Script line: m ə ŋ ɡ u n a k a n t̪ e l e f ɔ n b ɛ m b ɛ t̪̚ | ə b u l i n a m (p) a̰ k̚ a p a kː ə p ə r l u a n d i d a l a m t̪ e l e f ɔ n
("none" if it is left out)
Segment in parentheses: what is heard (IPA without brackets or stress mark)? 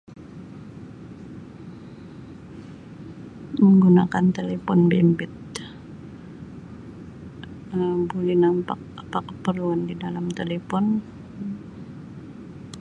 p